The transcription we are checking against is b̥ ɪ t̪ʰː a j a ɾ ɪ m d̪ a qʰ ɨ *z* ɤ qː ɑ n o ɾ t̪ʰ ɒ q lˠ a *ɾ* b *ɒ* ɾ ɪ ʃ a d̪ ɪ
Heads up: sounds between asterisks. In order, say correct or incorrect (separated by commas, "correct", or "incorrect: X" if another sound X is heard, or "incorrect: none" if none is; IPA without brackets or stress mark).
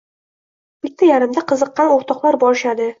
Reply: correct, correct, correct